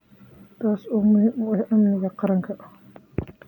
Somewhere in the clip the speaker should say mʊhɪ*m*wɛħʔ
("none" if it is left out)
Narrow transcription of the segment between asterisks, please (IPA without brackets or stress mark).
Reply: m